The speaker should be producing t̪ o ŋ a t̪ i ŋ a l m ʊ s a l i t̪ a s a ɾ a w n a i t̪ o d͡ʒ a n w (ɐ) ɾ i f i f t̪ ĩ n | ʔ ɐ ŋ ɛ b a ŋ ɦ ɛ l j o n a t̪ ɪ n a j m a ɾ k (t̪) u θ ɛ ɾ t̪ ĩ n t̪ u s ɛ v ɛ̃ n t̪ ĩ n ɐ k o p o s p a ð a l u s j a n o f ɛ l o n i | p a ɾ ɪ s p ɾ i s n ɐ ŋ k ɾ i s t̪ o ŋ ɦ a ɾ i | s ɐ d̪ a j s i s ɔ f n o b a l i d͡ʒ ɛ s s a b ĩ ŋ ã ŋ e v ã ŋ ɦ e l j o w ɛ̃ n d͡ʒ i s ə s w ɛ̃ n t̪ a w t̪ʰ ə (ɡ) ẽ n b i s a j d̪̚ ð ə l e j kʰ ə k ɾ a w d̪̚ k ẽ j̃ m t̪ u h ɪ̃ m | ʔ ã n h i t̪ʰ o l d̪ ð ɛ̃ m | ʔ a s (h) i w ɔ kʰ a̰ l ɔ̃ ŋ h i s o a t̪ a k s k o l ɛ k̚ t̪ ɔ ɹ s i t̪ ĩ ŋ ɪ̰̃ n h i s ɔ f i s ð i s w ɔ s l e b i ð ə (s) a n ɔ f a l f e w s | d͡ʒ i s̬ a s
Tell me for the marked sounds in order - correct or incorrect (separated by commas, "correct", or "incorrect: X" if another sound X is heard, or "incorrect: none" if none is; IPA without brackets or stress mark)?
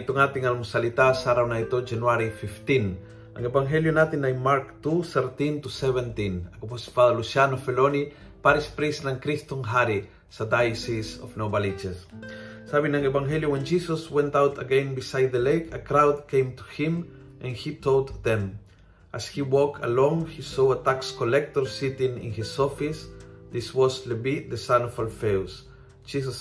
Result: incorrect: a, correct, correct, correct, correct